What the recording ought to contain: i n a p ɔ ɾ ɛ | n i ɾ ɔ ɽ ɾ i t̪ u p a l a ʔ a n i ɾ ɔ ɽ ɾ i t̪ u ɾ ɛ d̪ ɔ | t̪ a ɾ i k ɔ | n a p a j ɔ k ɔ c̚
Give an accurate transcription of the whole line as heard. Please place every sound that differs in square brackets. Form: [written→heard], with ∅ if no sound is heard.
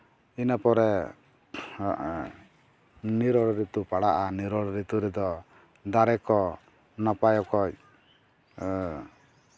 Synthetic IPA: i n a p ɔ ɾ ɛ | n i ɾ ɔ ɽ ɾ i t̪ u p a [l→ɽ] a ʔ a n i ɾ ɔ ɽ ɾ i t̪ u ɾ ɛ d̪ ɔ | [t̪→d̪] a ɾ [i→ɛ] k ɔ | n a p a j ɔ k ɔ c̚